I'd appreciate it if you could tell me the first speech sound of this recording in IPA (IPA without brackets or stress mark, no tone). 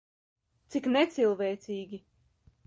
t̪